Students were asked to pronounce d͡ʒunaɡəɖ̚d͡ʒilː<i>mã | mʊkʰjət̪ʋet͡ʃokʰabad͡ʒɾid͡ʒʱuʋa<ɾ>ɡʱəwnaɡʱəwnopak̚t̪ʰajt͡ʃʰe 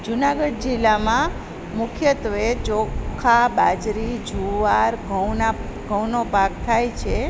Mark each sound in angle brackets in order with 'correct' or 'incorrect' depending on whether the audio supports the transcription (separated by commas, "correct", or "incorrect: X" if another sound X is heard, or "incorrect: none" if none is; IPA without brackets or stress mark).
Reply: incorrect: a, correct